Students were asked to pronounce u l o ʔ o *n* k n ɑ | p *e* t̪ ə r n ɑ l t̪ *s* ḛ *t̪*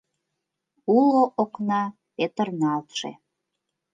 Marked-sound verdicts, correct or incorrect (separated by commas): incorrect, correct, incorrect, incorrect